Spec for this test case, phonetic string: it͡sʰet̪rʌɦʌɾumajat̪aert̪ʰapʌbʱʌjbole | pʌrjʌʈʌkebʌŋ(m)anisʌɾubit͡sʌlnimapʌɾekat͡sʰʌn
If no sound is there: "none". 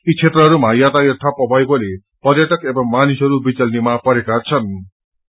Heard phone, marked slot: m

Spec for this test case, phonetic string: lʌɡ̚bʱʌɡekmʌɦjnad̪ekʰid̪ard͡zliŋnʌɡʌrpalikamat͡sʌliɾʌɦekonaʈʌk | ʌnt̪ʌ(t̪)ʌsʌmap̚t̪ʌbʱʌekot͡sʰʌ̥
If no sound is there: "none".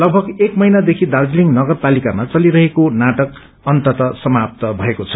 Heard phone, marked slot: t̪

